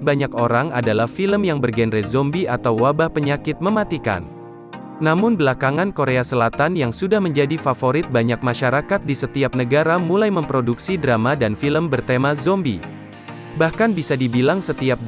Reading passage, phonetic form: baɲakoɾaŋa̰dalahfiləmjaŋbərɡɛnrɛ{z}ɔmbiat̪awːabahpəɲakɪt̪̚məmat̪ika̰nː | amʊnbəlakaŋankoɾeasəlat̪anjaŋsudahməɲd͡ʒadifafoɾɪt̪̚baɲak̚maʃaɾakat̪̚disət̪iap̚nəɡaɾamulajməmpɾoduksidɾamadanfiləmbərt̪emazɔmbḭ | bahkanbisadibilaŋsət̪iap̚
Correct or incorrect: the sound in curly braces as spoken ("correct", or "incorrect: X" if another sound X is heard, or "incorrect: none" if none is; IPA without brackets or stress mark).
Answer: correct